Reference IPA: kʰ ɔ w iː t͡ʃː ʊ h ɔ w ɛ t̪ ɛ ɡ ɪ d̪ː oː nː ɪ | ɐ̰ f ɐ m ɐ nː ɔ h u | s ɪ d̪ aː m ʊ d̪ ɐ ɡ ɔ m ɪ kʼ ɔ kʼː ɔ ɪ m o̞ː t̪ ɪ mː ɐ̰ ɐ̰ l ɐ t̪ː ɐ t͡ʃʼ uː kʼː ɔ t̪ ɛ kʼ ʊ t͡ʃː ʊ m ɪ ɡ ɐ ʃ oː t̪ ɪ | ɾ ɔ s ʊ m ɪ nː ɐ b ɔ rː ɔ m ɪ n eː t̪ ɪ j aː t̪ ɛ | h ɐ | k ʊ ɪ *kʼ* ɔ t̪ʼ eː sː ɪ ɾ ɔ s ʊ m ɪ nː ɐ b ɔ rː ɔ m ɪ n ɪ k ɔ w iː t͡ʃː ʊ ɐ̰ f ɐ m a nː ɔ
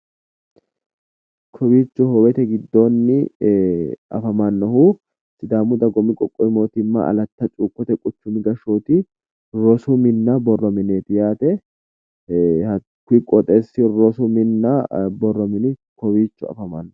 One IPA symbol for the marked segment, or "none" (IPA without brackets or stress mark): kʼ